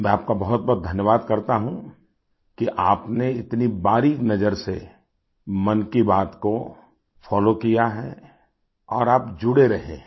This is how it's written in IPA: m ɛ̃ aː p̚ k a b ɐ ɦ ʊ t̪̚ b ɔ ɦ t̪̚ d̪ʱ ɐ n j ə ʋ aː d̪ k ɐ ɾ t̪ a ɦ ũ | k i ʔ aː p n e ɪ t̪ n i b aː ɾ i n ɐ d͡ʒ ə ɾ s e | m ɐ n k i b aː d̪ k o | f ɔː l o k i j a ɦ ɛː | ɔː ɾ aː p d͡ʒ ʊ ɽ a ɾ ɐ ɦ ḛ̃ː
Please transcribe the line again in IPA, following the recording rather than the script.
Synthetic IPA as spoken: m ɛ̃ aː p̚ k a b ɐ ɦ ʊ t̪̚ b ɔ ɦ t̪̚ d̪ʱ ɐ n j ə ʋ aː d̪ k ɐ ɾ t̪ a ɦ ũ | k i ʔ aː p n e ɪ t̪ n i b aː ɾ i n ɐ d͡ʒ ə ɾ s e | m ɐ n k i b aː t̪ k o | f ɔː l o k i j a ɦ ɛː | ɔː ɾ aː p d͡ʒ ʊ ɽ e ɾ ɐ ɦ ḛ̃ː